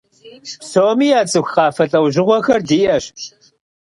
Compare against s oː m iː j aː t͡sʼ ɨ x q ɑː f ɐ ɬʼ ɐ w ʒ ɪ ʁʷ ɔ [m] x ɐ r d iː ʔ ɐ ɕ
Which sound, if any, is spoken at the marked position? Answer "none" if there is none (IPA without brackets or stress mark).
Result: none